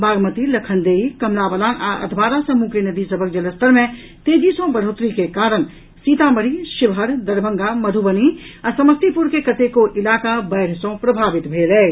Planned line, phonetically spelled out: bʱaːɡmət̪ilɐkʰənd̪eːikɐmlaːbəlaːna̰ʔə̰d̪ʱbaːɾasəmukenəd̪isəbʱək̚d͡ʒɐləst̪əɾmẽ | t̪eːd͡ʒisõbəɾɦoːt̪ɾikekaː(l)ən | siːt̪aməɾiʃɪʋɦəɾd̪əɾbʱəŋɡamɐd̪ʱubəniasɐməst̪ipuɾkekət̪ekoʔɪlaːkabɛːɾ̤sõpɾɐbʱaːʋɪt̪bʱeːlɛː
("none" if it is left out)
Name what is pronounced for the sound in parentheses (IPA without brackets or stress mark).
ɾ